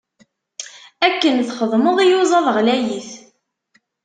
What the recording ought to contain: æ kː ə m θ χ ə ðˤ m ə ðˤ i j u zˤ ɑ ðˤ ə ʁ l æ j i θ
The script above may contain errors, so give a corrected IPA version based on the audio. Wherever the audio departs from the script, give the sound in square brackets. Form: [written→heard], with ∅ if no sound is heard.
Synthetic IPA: æ kː ə [m→n] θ χ ə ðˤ m ə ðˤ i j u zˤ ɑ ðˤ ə ʁ l æ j i θ